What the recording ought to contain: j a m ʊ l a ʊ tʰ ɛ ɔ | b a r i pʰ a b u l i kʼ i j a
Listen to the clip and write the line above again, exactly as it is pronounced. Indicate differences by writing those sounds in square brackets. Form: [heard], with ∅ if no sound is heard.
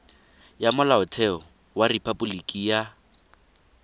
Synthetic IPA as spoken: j a m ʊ l a ʊ tʰ ɛ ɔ | [w] a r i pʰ a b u l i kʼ i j a